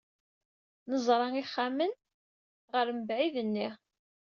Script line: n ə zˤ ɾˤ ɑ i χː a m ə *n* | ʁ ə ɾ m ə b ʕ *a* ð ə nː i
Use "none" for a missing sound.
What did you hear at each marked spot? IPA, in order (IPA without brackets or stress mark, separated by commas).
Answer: n, i